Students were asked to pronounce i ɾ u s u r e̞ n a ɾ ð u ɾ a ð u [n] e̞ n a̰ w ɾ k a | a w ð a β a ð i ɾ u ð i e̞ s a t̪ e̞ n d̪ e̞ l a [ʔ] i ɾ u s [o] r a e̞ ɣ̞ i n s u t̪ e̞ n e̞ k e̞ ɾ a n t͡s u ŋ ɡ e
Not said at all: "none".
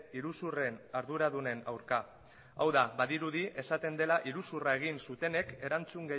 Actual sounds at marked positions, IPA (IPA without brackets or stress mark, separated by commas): n, ʔ, u